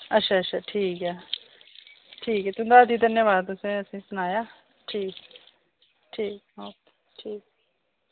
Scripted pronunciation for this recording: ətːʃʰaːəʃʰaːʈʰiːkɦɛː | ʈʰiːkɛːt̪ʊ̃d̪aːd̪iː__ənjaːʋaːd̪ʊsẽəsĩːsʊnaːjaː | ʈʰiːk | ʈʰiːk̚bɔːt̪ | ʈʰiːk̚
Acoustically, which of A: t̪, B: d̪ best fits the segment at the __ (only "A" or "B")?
B